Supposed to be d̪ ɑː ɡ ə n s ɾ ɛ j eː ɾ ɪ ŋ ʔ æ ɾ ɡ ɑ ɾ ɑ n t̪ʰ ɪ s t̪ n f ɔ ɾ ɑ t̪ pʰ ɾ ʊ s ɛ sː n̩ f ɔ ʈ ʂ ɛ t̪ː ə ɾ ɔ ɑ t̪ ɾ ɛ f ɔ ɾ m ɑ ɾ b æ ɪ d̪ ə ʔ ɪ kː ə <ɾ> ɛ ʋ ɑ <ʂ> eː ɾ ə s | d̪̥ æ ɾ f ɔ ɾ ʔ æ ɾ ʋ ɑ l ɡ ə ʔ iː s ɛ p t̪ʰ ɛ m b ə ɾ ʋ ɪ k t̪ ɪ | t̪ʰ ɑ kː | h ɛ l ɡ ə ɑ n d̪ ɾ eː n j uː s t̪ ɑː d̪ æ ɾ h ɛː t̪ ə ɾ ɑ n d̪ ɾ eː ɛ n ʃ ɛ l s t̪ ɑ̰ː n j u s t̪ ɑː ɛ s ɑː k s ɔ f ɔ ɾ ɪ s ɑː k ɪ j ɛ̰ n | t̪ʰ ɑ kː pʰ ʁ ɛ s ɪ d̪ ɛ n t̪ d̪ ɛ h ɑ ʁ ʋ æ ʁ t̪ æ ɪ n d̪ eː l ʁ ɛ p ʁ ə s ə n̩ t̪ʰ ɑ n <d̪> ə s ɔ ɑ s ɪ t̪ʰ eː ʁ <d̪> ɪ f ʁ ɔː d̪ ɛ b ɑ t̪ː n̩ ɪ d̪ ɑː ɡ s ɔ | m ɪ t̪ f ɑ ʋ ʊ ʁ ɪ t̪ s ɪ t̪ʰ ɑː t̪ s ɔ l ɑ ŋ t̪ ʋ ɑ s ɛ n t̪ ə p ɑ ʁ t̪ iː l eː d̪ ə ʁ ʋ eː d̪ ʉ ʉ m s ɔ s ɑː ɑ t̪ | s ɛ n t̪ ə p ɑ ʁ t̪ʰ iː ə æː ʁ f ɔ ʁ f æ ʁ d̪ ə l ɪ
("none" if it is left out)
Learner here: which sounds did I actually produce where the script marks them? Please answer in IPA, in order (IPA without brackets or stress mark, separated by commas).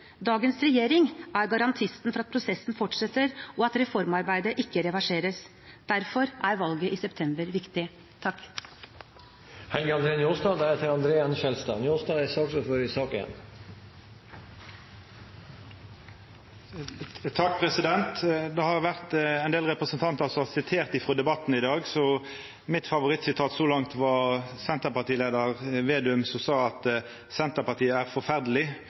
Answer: ɾ, ʂ, t̪, t̪